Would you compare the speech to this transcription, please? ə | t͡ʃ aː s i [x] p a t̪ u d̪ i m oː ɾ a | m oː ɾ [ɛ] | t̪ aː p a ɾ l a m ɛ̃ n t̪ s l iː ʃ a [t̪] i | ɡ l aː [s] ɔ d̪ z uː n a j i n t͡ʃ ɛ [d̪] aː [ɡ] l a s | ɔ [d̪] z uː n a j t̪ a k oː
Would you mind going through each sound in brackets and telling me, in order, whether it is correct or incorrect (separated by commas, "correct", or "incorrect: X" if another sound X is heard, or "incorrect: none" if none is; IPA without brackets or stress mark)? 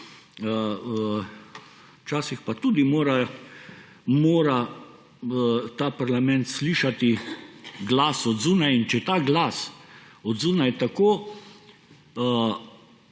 correct, incorrect: a, correct, correct, incorrect: t̪, correct, correct